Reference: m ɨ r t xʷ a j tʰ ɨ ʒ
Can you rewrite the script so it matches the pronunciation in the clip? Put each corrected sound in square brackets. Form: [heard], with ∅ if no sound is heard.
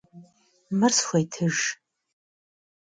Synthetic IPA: m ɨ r [s] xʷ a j tʰ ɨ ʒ

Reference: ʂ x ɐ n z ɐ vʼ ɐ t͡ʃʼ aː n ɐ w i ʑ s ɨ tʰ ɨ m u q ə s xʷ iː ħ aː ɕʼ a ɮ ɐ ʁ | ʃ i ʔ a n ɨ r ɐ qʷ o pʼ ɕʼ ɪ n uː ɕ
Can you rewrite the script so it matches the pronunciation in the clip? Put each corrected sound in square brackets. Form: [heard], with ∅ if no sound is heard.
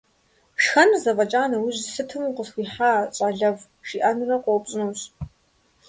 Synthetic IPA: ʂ x ɐ n z ɐ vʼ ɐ t͡ʃʼ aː n ɐ w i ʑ s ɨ tʰ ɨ m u q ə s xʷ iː ħ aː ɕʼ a ɮ ɐ [v] | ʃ i ʔ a n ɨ r ɐ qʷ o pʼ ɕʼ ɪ n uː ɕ

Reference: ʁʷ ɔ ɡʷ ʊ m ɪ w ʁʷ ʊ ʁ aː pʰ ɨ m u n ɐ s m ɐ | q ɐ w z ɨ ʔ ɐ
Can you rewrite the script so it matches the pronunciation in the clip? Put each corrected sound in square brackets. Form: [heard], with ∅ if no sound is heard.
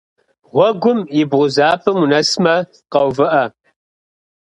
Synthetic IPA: ʁʷ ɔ ɡʷ ʊ m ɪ [b] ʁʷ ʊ [z] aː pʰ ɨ m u n ɐ s m ɐ | q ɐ w [v] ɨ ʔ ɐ

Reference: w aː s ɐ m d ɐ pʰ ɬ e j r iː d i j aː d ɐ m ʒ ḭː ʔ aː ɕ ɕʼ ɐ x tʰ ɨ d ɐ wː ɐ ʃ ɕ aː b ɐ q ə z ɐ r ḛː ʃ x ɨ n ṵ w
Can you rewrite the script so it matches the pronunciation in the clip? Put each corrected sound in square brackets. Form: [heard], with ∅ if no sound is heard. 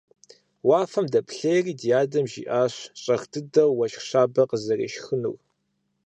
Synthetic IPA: w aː [f] ɐ m d ɐ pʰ ɬ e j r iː d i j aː d ɐ m ʒ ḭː ʔ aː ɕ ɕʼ ɐ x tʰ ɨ d ɐ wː ɐ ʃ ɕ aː b ɐ q ə z ɐ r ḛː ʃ x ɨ n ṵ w

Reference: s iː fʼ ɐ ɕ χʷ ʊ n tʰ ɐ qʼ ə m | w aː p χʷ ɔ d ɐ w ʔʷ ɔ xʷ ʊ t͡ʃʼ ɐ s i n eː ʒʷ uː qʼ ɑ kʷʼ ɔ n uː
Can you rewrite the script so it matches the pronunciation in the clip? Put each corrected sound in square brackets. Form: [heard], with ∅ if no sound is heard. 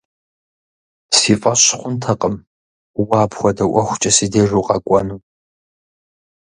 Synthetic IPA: s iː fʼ ɐ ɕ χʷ ʊ n tʰ ɐ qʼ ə m | w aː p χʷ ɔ d ɐ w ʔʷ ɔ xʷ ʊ t͡ʃʼ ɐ s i [d] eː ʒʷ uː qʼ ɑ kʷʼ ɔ n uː

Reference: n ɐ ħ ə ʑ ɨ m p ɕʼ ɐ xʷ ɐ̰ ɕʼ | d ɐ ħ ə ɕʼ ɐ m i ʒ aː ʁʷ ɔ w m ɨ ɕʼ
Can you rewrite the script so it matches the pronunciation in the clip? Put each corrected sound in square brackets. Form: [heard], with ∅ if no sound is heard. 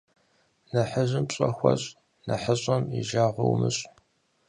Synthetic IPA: n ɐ ħ ə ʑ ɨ m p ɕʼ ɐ xʷ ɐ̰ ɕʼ | [n] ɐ ħ ə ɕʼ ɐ m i ʒ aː ʁʷ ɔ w m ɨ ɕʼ

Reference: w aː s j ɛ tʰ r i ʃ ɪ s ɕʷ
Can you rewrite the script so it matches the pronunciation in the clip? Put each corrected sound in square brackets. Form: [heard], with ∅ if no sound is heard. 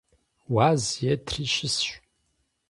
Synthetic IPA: w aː [z] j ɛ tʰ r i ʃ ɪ s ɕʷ

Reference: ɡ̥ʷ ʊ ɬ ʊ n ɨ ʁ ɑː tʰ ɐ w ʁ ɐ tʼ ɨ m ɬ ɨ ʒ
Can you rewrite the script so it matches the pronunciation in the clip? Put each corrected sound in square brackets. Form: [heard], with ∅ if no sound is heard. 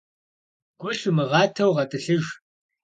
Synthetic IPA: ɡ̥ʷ ʊ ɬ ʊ [m] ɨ ʁ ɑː tʰ ɐ w ʁ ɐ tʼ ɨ [∅] ɬ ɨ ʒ

